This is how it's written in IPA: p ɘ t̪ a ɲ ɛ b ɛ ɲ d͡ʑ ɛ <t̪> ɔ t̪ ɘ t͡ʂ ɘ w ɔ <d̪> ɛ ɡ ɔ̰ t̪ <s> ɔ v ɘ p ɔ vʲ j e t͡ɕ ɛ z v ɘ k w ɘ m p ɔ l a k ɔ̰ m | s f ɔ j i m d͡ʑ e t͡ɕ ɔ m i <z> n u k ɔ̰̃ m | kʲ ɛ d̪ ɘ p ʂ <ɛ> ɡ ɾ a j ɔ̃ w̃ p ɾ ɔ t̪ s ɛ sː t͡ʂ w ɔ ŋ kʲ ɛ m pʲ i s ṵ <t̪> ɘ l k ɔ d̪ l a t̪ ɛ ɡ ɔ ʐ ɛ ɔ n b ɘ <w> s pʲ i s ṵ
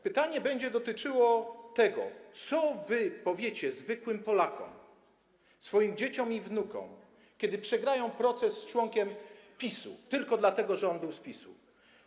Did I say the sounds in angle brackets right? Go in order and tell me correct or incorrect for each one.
incorrect: d̪, incorrect: t̪, correct, incorrect: v, correct, correct, correct

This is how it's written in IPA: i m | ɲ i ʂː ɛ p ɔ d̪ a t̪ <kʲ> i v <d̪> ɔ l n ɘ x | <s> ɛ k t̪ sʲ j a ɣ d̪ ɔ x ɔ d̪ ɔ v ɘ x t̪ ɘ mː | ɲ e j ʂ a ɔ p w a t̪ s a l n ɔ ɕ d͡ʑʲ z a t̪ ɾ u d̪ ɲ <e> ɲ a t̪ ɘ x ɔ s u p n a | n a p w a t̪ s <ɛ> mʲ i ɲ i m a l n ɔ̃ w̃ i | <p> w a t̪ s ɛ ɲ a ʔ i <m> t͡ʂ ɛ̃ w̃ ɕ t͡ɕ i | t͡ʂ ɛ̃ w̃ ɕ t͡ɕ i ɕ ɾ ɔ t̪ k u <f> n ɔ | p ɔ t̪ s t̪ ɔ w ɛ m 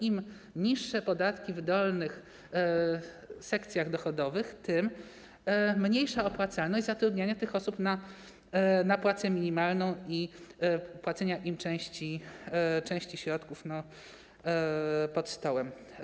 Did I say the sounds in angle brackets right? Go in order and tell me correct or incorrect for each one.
correct, correct, correct, incorrect: a, correct, correct, correct, correct

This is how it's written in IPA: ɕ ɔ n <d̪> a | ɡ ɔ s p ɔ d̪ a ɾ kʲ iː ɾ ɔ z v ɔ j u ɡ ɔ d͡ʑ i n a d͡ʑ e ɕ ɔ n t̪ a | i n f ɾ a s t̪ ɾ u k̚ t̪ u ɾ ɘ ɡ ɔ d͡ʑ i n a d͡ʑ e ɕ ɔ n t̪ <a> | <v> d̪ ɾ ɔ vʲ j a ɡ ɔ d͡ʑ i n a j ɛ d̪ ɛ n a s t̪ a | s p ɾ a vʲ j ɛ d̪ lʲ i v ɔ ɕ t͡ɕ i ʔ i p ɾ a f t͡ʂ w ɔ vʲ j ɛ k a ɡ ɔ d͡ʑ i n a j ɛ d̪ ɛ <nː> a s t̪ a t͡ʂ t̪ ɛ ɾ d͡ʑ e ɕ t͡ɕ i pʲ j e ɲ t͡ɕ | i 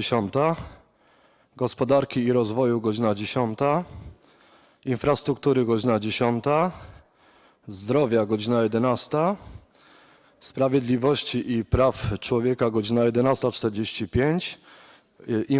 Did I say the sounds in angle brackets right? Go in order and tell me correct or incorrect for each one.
incorrect: t̪, correct, incorrect: z, incorrect: n

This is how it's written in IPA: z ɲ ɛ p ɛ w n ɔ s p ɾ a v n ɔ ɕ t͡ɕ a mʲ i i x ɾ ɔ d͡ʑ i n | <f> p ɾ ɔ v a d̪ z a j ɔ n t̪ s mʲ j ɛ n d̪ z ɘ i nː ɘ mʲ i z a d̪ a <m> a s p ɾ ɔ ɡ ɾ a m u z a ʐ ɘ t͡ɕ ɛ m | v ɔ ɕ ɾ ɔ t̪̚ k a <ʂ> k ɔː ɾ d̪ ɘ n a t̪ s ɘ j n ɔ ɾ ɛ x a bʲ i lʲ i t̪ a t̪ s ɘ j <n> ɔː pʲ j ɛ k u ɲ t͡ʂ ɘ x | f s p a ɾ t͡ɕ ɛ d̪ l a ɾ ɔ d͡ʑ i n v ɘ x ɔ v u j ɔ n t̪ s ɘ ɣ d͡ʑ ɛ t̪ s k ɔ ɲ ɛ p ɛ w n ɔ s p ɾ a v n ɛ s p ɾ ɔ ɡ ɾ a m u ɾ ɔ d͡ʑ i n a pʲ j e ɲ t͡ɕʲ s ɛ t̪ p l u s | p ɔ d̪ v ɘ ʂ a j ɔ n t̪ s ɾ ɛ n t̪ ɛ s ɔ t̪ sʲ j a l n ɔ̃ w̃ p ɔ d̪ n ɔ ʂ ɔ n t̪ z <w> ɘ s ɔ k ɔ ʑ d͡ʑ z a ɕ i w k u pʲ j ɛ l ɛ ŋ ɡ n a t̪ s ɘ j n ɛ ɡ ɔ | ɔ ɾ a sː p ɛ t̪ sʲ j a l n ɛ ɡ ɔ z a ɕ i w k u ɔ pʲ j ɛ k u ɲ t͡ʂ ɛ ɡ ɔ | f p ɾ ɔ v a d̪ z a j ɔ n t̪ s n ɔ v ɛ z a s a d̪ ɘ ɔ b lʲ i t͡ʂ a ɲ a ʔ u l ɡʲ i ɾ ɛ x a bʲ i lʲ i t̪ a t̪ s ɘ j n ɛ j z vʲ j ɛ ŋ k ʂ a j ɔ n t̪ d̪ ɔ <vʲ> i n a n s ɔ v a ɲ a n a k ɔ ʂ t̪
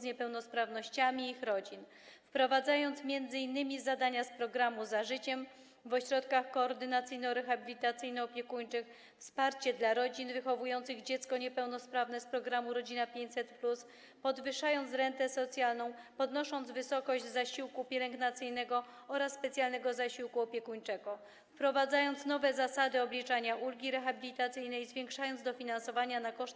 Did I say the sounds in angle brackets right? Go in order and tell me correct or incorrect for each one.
correct, incorrect: ɲ, incorrect: x, correct, incorrect: v, incorrect: fʲ

